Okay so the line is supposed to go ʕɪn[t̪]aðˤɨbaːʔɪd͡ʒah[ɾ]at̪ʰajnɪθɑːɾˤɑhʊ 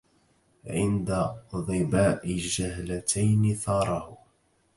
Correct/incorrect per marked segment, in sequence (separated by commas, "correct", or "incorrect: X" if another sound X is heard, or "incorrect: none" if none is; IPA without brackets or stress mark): incorrect: d̪, incorrect: l